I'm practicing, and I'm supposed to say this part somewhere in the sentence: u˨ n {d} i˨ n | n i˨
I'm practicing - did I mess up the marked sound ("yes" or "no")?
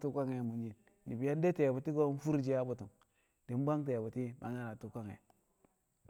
yes